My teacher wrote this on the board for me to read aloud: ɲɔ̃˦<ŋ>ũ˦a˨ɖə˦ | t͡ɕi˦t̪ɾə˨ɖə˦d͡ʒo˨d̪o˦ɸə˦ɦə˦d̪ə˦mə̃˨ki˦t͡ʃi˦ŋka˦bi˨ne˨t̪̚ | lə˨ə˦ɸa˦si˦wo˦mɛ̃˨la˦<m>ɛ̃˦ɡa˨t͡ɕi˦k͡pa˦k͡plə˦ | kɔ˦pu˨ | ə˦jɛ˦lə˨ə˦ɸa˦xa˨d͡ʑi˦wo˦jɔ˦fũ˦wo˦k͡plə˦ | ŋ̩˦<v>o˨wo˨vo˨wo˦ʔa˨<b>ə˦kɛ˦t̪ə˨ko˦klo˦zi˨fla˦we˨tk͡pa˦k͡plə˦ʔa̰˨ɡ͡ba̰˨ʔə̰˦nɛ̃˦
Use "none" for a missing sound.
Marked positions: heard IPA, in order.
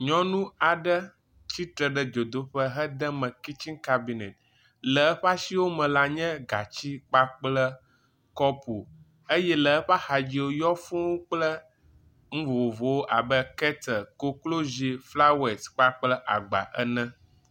n, ɲ, v, b

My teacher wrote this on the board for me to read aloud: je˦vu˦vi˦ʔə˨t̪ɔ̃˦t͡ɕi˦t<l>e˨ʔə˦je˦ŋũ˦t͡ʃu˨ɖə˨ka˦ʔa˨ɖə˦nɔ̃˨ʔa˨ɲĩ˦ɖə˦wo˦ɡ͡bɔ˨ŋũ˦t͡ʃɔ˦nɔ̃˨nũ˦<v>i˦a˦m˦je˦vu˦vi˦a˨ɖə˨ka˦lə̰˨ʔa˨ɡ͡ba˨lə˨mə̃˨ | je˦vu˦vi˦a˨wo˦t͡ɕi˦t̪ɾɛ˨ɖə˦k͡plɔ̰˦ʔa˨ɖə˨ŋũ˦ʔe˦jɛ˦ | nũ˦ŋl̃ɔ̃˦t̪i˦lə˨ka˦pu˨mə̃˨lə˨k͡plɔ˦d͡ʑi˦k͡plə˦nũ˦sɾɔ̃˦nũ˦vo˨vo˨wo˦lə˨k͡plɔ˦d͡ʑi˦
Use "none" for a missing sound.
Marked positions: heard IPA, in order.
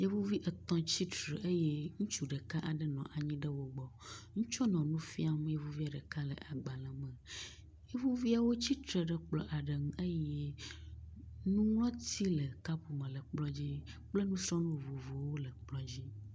ɾ, f

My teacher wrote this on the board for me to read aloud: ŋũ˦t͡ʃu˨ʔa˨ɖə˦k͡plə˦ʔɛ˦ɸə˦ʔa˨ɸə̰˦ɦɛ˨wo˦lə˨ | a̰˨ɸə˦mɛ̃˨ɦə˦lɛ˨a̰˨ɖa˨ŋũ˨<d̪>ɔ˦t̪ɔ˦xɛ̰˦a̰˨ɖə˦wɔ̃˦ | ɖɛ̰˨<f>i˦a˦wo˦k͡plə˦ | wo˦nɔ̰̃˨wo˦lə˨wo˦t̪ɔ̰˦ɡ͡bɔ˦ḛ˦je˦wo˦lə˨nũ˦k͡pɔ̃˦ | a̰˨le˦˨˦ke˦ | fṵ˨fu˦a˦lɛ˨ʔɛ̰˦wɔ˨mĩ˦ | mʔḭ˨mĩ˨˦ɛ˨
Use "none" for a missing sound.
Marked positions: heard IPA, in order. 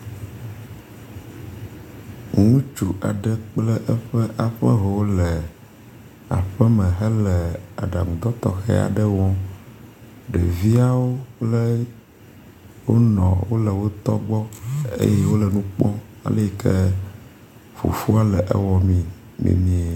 d̪, v

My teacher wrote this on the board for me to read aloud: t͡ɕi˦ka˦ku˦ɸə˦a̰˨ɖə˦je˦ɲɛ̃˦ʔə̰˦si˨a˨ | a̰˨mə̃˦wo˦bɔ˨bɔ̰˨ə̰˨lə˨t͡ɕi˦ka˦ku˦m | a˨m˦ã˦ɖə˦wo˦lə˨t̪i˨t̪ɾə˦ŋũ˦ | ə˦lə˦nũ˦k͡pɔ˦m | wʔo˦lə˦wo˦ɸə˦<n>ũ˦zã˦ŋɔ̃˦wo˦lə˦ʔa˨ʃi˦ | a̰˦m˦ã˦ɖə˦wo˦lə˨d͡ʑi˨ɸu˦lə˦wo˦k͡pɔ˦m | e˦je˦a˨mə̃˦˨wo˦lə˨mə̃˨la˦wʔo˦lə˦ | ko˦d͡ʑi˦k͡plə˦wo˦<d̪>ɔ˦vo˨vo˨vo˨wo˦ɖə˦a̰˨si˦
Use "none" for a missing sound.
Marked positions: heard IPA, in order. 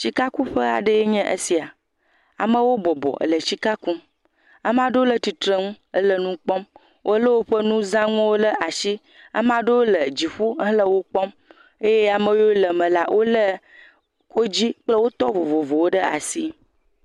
n, t̪

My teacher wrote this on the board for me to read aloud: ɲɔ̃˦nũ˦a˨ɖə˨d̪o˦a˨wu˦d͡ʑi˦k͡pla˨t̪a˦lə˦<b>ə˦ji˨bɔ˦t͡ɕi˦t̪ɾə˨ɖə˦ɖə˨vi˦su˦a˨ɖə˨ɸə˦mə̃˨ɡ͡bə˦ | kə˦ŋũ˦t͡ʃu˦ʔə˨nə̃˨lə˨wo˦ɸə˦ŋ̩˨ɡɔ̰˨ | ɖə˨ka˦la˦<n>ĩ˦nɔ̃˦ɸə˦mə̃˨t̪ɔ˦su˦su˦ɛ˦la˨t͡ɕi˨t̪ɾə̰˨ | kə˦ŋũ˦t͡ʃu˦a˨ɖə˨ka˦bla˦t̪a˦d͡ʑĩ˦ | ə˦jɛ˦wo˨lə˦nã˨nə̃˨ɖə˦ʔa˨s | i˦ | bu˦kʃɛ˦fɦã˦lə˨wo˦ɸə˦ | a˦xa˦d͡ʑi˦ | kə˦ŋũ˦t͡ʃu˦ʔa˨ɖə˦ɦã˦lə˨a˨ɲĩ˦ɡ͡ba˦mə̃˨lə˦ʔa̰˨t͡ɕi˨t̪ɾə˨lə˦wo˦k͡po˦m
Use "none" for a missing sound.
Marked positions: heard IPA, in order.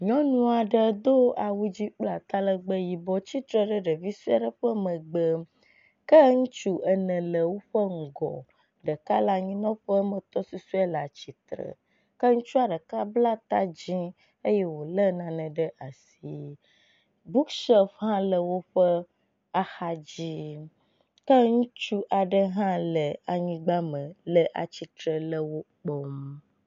ɡ͡b, ɲ

